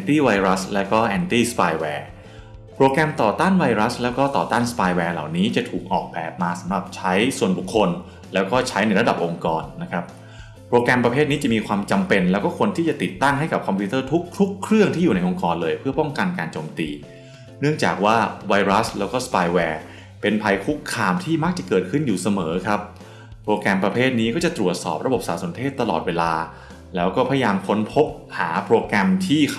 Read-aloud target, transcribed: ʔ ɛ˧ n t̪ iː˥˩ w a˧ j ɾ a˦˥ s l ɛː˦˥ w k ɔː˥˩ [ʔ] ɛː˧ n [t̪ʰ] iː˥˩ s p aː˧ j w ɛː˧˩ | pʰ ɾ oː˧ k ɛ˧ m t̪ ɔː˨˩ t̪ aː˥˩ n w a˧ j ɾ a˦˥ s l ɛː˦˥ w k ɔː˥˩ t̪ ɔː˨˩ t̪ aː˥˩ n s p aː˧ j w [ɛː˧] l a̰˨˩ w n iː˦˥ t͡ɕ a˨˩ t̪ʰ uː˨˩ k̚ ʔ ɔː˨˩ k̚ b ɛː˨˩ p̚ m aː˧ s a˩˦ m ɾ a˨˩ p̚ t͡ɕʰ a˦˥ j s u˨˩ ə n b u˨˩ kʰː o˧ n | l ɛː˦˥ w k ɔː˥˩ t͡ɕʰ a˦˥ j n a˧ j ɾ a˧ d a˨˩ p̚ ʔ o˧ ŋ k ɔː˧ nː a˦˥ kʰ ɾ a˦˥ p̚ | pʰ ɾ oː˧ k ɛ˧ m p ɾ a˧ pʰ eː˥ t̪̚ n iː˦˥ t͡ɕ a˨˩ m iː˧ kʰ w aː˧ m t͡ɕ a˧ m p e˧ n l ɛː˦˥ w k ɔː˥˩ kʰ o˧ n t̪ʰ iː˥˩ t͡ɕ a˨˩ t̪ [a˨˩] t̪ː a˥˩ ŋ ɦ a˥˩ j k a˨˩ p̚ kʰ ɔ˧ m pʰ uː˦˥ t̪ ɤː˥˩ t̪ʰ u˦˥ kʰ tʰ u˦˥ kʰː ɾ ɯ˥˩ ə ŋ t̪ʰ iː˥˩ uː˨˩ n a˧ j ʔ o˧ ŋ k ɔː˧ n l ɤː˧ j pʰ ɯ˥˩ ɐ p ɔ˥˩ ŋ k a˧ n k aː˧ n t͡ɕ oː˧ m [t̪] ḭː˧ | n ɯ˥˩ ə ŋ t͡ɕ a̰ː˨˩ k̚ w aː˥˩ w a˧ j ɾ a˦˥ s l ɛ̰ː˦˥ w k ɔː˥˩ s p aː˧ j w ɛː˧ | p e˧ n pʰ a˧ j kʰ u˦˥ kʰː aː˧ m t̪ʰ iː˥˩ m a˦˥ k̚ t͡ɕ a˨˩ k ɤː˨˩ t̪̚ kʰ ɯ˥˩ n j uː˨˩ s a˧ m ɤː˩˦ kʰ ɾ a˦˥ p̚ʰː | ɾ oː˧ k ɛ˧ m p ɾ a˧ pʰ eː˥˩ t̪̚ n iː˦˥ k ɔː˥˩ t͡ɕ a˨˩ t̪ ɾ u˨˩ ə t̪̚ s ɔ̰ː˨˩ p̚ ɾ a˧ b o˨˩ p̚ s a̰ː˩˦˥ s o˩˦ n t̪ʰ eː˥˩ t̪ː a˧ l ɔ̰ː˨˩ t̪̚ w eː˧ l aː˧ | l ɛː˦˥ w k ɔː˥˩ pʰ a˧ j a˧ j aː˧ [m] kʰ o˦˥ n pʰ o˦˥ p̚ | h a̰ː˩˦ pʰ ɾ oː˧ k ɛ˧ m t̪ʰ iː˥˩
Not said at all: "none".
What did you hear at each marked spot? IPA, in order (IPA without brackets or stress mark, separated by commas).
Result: ʔ, t̪, ɛː˧, i˨˩, t̪, m